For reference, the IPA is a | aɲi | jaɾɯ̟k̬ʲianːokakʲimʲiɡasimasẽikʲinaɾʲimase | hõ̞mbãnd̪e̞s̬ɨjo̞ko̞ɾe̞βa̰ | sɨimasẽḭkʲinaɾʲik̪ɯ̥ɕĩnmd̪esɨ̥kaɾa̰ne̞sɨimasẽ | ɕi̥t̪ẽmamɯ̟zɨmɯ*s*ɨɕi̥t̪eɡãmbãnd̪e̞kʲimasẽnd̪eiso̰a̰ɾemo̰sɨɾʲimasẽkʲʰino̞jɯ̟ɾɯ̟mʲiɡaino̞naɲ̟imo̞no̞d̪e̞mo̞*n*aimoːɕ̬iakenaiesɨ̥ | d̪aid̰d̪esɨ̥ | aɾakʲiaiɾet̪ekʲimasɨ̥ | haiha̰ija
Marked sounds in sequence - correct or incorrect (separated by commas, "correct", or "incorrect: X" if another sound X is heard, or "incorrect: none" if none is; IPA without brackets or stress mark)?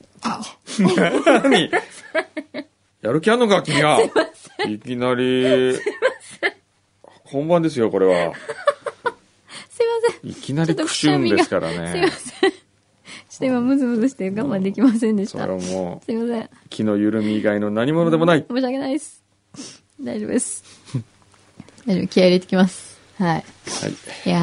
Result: incorrect: z, correct